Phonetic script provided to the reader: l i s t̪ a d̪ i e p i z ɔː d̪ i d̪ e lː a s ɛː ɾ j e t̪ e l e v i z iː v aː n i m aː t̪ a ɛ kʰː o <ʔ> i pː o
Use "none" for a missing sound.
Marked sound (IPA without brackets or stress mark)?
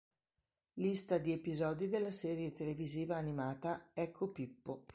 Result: p